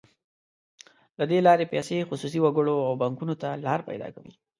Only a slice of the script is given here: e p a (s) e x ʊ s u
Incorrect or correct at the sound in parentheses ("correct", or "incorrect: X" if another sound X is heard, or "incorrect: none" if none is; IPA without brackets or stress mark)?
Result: correct